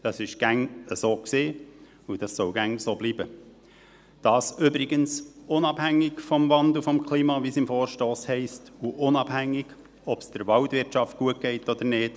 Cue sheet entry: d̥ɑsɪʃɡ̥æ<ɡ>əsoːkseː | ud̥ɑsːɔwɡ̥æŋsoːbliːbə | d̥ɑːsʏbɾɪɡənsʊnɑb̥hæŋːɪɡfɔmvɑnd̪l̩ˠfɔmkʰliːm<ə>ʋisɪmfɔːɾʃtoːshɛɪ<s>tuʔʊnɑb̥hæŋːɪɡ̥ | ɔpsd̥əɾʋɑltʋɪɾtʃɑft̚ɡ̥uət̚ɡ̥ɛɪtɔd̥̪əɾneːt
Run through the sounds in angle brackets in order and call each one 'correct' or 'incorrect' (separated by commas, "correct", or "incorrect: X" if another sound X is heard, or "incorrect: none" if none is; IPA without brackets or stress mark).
incorrect: ŋ, incorrect: ɑ, correct